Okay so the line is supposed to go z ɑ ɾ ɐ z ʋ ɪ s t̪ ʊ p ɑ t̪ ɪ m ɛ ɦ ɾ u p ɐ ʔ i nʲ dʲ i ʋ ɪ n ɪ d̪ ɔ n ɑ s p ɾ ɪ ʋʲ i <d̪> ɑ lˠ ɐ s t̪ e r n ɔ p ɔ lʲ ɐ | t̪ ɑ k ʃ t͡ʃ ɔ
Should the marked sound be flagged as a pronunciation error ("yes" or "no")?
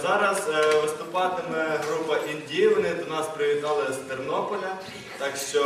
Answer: yes